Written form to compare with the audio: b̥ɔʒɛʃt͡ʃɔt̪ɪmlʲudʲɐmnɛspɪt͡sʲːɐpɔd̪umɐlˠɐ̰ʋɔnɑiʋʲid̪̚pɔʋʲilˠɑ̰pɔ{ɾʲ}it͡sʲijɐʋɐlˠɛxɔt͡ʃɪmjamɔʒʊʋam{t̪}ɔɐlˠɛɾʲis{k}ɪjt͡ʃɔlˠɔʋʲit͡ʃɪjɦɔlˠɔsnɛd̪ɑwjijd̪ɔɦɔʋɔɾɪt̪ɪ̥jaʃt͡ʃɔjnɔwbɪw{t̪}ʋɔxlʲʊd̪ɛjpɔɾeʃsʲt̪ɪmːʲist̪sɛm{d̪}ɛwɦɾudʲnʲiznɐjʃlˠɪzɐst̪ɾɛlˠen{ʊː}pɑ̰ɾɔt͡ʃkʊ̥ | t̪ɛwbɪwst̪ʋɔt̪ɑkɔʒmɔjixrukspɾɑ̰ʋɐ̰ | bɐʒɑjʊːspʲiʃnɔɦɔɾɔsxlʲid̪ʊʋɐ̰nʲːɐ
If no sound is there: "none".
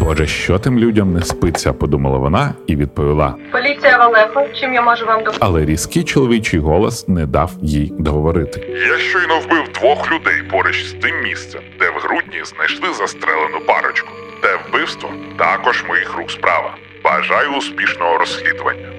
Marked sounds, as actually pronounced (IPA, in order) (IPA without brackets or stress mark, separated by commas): lʲ, d̪, k, d̪, d̪, ʊ